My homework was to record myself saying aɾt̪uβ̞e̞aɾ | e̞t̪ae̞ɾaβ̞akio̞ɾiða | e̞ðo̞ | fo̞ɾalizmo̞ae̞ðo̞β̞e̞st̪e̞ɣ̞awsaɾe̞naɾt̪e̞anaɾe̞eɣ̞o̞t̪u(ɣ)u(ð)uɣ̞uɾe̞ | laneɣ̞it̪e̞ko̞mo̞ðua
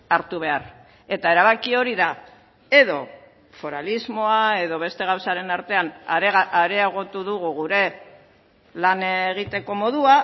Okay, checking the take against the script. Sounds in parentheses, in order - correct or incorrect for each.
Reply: incorrect: ð, incorrect: ɣ

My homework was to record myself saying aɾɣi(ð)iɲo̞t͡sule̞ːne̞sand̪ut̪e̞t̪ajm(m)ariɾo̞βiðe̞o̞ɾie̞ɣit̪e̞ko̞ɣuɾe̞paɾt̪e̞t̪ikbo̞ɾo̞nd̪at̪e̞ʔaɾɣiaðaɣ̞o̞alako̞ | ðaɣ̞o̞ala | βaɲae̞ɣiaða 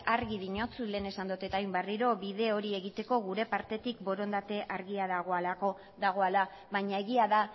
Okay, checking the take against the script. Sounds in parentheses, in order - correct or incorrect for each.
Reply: correct, incorrect: b

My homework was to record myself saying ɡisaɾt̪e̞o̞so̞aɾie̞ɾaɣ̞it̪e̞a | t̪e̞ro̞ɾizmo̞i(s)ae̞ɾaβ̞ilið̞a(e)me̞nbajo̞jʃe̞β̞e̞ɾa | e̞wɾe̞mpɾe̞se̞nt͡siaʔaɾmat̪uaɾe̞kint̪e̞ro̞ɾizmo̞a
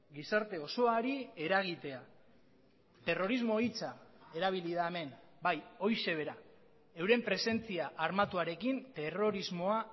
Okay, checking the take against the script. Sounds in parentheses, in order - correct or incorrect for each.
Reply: incorrect: t͡s, correct

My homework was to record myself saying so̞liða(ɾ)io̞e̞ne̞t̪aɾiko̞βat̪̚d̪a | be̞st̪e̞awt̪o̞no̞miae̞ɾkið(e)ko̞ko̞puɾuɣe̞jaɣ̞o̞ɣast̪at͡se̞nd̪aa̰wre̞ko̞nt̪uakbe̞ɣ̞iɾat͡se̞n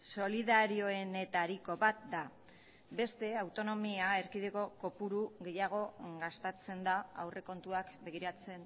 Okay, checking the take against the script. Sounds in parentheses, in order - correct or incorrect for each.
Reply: correct, correct

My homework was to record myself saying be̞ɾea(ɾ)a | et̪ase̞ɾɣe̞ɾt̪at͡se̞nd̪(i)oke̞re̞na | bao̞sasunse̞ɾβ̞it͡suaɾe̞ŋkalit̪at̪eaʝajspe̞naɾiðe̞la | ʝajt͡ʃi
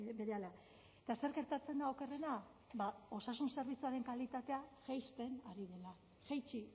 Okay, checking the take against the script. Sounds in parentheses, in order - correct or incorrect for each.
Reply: incorrect: l, incorrect: a

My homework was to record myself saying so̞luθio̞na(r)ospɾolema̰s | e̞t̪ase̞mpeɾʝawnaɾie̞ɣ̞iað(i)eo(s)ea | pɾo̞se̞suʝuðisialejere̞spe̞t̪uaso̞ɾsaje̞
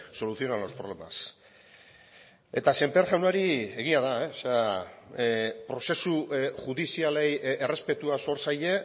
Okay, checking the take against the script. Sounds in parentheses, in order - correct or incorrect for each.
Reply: incorrect: l, incorrect: a, correct

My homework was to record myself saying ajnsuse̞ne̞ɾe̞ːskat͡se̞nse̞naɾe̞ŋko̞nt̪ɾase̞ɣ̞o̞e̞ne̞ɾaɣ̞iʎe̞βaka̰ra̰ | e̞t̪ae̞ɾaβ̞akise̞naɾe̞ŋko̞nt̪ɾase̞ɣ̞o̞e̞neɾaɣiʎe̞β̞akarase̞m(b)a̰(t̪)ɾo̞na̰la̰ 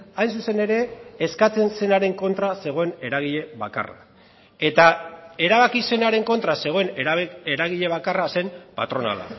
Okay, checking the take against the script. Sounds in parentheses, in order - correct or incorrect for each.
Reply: incorrect: p, correct

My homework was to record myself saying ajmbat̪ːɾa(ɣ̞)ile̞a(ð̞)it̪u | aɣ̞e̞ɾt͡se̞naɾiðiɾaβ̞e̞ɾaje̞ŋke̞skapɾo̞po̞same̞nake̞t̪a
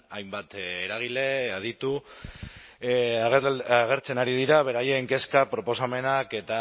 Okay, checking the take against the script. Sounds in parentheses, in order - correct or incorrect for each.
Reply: correct, correct

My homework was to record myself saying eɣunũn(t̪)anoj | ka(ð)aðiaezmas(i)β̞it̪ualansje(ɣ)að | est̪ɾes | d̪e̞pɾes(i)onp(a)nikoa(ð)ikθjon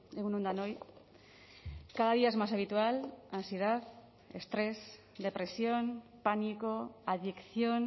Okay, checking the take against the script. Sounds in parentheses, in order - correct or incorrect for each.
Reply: incorrect: d̪, correct, incorrect: a, incorrect: ð, incorrect: j, correct, correct

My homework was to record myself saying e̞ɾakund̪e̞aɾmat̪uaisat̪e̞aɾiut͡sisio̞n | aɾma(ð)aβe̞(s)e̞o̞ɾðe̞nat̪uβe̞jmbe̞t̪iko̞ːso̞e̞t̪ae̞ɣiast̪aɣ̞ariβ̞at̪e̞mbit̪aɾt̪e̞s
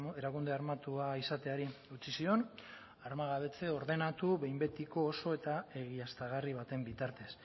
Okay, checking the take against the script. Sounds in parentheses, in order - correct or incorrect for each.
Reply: incorrect: ɣ, incorrect: t͡s

